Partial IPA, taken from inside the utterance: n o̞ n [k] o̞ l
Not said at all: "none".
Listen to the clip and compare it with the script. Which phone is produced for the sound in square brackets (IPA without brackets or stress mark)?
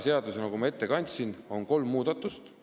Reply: k